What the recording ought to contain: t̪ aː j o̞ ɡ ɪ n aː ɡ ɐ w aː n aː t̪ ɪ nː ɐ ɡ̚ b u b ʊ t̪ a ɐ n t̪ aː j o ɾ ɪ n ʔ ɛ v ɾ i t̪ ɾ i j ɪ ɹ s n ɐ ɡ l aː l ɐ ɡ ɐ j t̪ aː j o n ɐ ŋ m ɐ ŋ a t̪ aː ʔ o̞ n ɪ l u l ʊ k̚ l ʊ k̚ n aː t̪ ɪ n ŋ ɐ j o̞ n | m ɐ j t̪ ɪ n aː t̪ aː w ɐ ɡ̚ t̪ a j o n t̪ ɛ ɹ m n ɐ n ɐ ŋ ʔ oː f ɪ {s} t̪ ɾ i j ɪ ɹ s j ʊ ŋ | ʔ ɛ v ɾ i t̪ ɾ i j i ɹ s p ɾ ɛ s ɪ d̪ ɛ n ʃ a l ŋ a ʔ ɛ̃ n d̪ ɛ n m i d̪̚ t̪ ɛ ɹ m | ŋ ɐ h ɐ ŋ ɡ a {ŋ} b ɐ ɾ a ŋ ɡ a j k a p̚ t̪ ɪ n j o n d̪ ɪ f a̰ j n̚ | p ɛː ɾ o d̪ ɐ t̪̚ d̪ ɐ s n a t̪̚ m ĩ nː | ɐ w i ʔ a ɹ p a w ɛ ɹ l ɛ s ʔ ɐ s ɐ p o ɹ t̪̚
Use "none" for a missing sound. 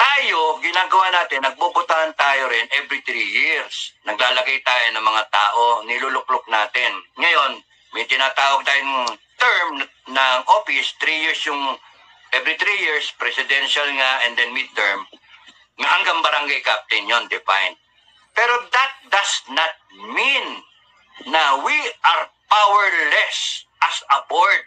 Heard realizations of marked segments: s, ŋ

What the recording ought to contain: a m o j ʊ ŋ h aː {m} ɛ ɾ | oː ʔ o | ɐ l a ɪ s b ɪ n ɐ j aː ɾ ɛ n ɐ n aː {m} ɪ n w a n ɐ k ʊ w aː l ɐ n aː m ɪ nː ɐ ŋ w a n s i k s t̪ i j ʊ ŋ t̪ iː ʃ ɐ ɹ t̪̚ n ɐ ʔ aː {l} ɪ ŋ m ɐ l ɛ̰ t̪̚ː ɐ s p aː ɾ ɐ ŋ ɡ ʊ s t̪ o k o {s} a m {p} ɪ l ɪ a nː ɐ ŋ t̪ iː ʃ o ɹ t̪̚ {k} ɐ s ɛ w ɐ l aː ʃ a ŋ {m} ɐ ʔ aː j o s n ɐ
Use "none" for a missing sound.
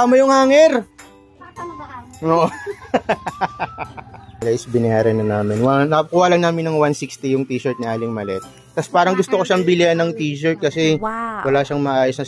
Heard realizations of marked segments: ŋ, m, l, ʃ, b, k, m

